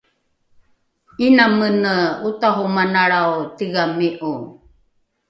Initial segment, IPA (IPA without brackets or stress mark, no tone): i